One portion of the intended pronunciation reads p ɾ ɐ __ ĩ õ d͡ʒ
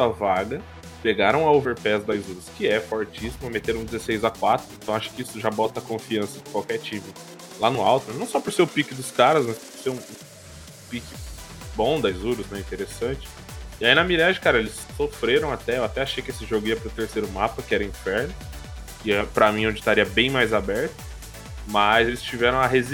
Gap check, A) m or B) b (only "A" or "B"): A